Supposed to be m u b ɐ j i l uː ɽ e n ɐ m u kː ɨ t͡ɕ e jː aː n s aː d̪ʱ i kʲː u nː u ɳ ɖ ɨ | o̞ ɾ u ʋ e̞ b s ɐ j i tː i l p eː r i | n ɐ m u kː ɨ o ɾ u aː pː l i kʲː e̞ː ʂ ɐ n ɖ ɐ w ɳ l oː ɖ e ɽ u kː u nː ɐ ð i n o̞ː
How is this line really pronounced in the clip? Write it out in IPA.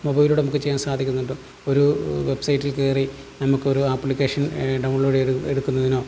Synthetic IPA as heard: m o b ɐ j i l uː ɽ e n ɐ m u kː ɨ t͡ɕ e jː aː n s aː d̪ʱ i kʲː u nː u ɳ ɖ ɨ | o̞ ɾ u ʋ e̞ b s ɐ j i tː i l k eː r i | n ɐ m u kː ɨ o ɾ u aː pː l i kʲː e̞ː ʂ ɐ n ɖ ɐ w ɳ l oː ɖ e ɽ u kː u nː ɐ ð i n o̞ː

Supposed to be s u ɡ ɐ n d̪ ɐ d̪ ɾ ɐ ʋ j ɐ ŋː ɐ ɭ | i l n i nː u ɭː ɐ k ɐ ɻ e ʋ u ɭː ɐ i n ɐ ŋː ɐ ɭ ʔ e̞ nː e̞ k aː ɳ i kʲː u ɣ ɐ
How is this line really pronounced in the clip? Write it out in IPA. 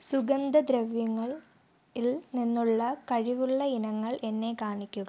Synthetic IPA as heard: s u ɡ ɐ n d̪ ɐ d̪ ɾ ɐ ʋ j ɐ ŋː ɐ ɭ | i l n i nː u ɭː ɐ k ɐ ɻ i ʋ u ɭː ɐ i n ɐ ŋː ɐ ɭ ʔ e̞ nː e̞ k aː ɳ i kʲː u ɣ ɐ

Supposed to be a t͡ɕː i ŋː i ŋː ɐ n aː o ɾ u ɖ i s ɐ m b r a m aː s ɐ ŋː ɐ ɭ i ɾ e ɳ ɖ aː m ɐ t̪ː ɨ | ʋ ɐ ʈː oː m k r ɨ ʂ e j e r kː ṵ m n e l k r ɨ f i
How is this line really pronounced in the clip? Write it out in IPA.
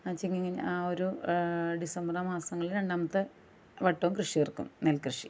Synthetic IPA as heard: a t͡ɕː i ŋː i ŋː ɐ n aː o ɾ u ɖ i s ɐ m b r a m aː s ɐ ŋː ɐ ɭ i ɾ e ɳ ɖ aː m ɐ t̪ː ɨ | ʋ ɐ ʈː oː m k r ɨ ʂ i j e r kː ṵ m n e l k r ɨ ʂ i

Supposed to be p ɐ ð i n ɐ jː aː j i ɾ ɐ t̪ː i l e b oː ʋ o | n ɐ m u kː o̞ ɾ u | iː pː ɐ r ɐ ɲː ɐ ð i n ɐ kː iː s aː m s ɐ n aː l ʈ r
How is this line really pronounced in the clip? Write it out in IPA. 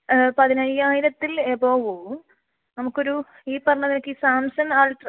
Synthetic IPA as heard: p ɐ ð i n ɐ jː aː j i ɾ ɐ t̪ː i l e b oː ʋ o | n ɐ m u kː o̞ ɾ u | iː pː ɐ r ɐ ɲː ɐ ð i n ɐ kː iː s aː m s ɐ n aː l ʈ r

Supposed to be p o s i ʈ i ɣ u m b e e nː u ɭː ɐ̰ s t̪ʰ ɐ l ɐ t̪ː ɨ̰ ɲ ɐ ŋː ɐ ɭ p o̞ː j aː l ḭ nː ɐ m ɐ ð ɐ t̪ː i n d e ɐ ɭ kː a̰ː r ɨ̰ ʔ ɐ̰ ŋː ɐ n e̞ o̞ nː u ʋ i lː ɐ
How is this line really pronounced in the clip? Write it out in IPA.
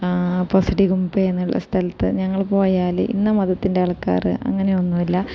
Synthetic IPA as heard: p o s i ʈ i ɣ u m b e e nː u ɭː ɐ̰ s t̪ʰ ɐ l ɐ t̪ː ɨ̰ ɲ ɐ ŋː ɐ ɭ p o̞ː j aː l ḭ nː ɐ m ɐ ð ɐ t̪ː i n d e ɐ ɭ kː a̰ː r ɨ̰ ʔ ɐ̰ ŋː ɐ n e̞ o̞ nː u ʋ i lː ɐ

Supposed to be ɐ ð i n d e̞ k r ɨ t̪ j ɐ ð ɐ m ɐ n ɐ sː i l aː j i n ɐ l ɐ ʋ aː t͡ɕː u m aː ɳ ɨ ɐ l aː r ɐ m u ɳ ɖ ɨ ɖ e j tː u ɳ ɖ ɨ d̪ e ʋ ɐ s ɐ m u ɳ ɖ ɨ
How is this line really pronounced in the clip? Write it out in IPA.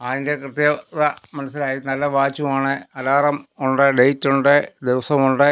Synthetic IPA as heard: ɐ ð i n d e̞ k r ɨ t̪ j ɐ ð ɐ m ɐ n ɐ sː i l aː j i n ɐ lː ɐ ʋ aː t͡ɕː u m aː ɳ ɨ ɐ l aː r ɐ m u ɳ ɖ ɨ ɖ e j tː u ɳ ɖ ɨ d̪ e ʋ ɐ s ɐ m u ɳ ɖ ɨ

